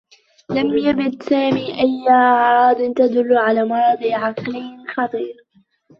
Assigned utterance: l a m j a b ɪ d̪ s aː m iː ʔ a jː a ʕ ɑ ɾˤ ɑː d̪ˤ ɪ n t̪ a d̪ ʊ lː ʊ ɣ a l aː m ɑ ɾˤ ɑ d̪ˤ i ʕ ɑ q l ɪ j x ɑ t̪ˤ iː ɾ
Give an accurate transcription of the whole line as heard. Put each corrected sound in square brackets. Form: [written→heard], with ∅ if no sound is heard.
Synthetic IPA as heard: l a m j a b ɪ d̪ s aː m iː ʔ a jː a ʕ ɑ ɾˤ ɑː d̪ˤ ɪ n t̪ a d̪ ʊ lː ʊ [ɣ→ʕ] a l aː m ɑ ɾˤ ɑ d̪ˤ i ʕ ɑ q l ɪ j x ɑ t̪ˤ iː ɾ